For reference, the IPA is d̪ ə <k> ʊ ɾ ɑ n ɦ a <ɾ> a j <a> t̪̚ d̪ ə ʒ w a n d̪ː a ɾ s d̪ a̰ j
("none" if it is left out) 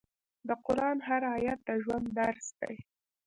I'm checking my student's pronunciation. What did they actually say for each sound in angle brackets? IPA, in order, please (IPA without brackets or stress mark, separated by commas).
q, ɾ, a